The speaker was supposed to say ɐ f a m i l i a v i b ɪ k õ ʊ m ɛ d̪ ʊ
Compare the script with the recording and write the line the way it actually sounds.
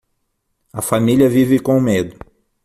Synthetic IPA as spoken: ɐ f a m i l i ɐ v i v ɪ k õ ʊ m e d̪ ʊ